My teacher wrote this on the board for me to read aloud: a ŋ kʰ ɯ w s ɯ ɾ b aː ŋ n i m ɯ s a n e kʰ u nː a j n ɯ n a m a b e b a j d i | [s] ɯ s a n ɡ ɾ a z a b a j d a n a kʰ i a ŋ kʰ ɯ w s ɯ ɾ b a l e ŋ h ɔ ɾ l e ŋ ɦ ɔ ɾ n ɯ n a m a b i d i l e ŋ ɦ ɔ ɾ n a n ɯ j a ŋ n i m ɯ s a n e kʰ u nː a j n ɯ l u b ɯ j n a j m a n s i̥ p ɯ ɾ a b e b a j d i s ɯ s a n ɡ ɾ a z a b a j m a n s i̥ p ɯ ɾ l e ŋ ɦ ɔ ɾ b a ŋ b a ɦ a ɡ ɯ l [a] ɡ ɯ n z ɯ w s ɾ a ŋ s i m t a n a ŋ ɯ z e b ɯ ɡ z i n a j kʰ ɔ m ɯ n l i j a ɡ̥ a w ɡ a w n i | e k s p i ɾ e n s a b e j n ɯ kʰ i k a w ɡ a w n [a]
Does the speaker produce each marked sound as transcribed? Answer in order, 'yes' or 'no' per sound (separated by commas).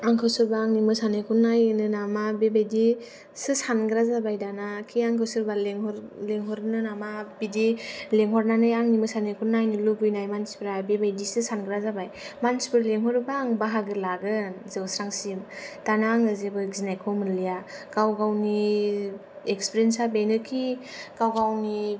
yes, yes, no